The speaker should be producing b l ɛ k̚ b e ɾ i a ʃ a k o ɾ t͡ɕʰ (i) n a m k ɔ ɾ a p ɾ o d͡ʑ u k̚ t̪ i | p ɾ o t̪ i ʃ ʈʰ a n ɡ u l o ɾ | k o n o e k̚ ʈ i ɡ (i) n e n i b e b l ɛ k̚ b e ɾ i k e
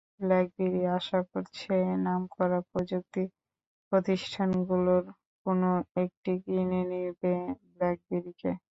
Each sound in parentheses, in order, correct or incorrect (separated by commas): incorrect, correct